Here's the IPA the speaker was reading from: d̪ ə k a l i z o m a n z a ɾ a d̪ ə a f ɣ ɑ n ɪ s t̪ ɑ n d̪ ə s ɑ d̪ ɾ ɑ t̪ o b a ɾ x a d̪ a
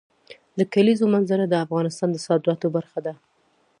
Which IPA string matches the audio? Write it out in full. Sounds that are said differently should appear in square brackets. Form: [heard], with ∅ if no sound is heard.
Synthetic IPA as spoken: d̪ ə k a l i z o m a n z a ɾ a d̪ ə a f ɣ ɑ n ɪ s t̪ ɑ n d̪ ə s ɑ d̪ ɾ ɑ t̪ o b a ɾ x a d̪ a